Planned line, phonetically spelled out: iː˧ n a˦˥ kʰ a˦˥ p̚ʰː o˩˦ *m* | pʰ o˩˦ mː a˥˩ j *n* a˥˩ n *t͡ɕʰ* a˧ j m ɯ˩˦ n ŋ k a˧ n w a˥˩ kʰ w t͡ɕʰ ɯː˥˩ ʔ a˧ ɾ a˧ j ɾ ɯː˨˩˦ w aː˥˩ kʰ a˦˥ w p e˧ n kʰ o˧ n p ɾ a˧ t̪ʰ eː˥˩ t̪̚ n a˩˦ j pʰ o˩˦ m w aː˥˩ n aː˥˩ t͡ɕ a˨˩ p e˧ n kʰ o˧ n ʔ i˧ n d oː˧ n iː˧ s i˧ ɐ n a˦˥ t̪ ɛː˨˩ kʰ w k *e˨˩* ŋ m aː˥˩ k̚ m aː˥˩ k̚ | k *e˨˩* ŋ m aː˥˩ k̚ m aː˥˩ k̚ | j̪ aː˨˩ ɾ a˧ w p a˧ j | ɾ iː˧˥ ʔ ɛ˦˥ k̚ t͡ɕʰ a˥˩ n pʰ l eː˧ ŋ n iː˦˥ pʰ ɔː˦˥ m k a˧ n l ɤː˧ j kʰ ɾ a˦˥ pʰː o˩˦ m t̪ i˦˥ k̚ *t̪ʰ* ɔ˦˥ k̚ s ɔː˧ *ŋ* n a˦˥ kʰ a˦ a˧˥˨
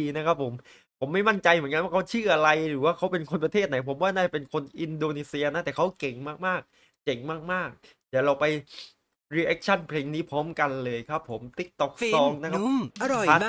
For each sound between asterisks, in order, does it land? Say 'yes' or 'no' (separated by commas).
yes, no, no, yes, yes, no, yes